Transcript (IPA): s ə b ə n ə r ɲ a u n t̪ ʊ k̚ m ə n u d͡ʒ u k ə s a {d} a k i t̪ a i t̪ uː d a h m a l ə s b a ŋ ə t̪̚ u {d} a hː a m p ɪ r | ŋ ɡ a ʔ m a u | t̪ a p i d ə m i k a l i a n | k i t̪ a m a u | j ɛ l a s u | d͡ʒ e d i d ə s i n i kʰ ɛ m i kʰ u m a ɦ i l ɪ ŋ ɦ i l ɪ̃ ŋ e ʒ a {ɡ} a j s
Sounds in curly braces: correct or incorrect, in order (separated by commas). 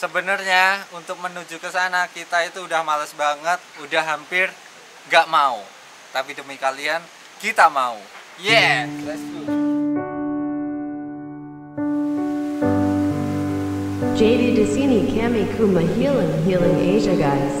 incorrect, correct, correct